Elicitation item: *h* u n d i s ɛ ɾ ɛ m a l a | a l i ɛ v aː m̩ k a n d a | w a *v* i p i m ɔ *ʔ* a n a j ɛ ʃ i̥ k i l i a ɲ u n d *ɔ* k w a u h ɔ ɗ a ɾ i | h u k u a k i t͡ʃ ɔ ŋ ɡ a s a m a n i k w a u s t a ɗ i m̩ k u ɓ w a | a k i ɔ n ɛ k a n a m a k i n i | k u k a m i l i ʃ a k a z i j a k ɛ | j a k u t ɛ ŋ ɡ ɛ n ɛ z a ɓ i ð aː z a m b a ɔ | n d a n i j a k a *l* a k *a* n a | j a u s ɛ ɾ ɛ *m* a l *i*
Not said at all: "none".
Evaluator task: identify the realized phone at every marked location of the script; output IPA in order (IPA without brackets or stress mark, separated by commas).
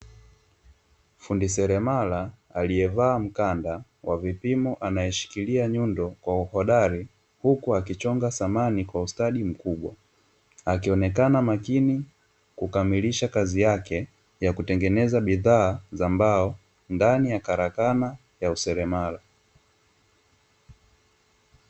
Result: f, v, ʔ, ɔ, ɾ, a, m, a